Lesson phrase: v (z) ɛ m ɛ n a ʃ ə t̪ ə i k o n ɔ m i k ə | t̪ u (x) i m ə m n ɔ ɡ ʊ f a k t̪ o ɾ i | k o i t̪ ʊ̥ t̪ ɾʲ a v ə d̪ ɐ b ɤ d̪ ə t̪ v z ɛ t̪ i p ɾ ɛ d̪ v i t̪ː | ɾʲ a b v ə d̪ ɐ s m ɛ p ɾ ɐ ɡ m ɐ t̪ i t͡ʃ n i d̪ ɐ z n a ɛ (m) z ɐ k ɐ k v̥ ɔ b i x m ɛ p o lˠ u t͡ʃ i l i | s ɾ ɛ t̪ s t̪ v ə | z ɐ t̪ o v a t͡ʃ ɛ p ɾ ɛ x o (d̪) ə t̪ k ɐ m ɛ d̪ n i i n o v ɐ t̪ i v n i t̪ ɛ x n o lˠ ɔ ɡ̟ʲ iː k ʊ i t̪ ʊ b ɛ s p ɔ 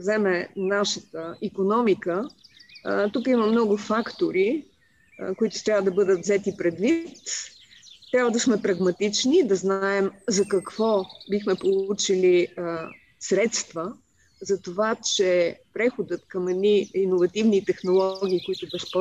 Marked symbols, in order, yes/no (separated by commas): yes, no, yes, yes